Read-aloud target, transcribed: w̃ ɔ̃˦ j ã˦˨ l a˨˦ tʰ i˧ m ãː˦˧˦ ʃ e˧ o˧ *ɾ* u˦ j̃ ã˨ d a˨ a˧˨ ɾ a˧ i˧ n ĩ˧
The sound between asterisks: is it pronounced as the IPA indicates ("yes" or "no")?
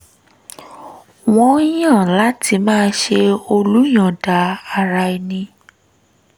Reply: no